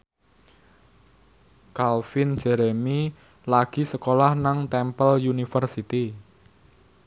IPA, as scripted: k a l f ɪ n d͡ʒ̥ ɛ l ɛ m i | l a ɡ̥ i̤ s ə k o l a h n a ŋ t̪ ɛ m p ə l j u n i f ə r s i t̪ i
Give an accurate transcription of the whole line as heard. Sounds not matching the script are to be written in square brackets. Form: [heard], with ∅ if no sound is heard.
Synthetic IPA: k a l f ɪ n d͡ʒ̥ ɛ [ɾ] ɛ m i | l a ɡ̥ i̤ s ə k o l a h n a ŋ t̪ ɛ m p ə l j u n i f ə r s i t̪ i